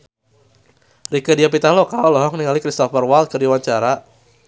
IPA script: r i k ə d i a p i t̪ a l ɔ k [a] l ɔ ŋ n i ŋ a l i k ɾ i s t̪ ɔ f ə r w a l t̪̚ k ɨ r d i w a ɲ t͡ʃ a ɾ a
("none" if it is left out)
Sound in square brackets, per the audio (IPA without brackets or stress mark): a